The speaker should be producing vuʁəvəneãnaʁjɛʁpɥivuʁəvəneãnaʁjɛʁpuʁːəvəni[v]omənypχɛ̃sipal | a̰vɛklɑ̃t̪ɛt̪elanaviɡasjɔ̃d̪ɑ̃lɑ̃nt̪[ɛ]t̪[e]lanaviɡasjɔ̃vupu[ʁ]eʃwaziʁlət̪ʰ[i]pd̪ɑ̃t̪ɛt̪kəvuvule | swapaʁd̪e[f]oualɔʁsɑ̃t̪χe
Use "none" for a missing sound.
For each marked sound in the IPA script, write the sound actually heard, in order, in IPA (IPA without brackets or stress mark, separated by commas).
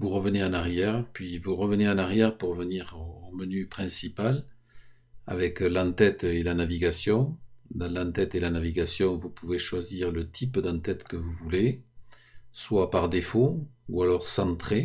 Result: ʁ, ɛ, e, v, i, f